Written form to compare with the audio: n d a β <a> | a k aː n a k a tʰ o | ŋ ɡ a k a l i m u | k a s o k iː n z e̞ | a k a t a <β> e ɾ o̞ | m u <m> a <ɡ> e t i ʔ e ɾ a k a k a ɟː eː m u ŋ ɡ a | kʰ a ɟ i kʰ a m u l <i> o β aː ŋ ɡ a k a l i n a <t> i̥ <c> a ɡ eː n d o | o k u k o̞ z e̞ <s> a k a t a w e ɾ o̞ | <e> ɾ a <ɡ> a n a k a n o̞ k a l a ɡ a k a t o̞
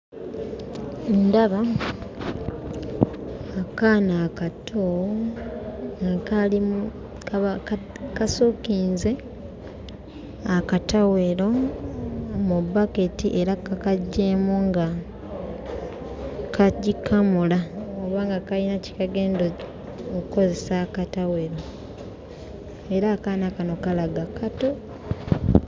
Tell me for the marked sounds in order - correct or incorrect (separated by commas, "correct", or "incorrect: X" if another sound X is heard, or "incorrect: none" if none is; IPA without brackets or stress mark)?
correct, incorrect: w, incorrect: b, incorrect: k, incorrect: a, incorrect: c, incorrect: k, correct, correct, incorrect: k